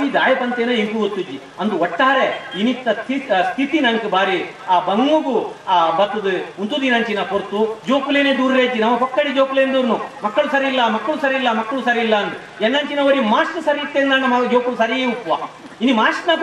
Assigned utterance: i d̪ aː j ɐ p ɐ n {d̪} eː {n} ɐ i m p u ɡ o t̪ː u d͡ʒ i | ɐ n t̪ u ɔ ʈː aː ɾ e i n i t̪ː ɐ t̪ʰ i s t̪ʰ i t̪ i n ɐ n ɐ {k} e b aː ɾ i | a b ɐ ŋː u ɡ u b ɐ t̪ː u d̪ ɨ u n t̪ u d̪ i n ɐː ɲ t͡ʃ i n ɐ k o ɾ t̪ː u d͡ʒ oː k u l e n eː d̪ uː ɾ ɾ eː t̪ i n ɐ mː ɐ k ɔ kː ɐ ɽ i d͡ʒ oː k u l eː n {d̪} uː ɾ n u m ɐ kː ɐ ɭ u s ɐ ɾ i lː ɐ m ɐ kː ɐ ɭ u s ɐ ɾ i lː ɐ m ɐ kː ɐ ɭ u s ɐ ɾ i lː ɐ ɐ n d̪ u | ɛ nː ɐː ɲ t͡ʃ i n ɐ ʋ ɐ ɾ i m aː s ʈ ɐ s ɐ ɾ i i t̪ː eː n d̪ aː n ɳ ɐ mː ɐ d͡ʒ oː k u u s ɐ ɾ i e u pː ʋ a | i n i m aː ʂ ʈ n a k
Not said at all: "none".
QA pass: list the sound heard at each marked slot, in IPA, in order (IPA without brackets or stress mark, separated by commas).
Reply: t̪, n, k, d̪